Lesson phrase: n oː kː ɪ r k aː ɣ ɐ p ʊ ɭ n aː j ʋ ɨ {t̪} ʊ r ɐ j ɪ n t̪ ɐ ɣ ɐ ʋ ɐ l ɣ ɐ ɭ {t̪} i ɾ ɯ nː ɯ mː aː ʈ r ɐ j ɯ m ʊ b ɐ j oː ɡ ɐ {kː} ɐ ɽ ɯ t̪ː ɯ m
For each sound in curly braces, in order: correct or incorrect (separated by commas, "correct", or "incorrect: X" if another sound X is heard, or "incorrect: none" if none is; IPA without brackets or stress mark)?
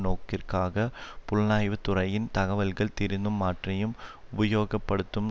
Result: correct, correct, incorrect: pː